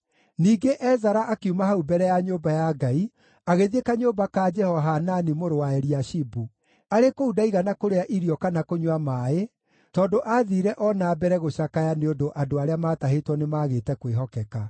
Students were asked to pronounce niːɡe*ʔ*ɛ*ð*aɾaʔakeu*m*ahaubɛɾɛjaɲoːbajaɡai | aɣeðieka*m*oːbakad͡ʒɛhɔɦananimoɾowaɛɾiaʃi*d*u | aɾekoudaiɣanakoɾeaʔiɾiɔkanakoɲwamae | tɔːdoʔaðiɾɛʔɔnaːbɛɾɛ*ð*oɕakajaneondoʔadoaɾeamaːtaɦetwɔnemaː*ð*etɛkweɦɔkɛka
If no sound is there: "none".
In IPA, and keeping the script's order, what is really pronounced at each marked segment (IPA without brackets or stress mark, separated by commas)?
ʔ, z, m, ɲ, b, ɣ, ɣ